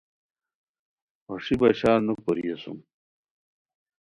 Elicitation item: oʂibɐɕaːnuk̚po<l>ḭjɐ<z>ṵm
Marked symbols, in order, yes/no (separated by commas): no, no